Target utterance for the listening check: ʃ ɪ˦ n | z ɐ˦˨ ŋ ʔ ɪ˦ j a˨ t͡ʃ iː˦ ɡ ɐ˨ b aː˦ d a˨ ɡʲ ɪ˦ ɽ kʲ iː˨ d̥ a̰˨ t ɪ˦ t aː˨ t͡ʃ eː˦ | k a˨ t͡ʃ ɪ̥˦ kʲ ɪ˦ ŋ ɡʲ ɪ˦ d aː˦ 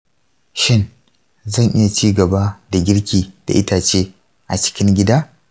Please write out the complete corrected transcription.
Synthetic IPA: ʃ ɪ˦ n | z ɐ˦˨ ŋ ʔ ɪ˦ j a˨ t͡ʃ iː˦ ɡ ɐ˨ b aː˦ d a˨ ɡʲ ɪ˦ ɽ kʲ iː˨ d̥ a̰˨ ʔ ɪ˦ t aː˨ t͡ʃ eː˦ | ʔ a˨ t͡ʃ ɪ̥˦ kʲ ɪ˦ ŋ ɡʲ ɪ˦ d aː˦

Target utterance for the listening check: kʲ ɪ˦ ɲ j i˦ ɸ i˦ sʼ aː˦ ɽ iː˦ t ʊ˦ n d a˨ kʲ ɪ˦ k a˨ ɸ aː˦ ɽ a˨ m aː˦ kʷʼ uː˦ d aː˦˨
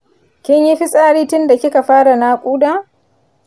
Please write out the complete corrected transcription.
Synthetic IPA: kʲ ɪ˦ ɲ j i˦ ɸ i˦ sʼ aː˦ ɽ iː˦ t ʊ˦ n d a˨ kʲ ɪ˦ k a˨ ɸ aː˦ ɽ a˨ n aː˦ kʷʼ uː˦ d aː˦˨

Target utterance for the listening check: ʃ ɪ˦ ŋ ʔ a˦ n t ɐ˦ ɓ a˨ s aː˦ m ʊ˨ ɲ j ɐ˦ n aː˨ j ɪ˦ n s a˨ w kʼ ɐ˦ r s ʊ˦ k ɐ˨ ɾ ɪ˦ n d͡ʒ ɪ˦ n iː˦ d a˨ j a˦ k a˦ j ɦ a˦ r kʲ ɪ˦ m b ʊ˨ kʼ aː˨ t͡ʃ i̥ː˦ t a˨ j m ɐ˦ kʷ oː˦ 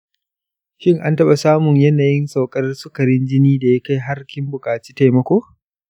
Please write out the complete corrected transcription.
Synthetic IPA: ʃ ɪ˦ ŋ ʔ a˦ n t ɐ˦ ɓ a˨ s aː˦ m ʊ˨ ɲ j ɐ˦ n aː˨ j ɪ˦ n s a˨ w kʼ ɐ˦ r s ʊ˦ k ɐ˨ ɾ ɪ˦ n d͡ʒ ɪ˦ n iː˦ d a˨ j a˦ k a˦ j ɦ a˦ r kʲ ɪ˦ m b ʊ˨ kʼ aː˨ t͡ʃ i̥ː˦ t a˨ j m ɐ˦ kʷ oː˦

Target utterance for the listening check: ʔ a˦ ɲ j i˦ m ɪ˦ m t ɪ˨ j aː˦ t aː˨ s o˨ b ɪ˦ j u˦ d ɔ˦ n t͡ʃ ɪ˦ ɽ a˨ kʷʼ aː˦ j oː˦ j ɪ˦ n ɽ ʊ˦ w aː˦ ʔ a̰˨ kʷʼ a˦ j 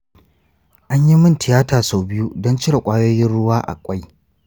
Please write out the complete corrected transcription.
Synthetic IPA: ʔ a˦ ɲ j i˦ m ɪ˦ n t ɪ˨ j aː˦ t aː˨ s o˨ b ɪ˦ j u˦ d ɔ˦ n t͡ʃ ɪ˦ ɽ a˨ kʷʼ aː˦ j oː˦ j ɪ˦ n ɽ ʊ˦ w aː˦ ʔ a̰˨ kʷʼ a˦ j

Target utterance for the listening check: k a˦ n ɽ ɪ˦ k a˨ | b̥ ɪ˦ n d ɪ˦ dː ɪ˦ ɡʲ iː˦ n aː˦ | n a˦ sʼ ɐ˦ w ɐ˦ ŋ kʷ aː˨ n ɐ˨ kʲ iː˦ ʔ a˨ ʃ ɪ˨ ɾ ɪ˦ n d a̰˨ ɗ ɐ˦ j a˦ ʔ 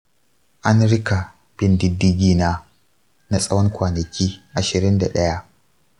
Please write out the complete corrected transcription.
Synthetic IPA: ʔ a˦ n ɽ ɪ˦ k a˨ | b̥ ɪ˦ n d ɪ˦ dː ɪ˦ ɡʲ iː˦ n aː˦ | n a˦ sʼ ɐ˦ w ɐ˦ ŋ kʷ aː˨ n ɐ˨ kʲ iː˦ ʔ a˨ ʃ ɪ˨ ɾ ɪ˦ n d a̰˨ ɗ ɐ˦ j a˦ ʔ

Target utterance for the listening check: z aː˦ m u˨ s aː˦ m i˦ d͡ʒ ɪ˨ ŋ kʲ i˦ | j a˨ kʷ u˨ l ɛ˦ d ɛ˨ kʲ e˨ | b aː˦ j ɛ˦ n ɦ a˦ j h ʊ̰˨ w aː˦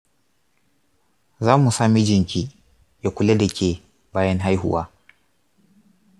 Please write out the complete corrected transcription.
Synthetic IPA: z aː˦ m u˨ s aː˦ m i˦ d͡ʒ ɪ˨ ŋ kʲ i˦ | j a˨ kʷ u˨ l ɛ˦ d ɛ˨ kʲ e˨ | b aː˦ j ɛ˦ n ɦ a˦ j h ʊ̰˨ w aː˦

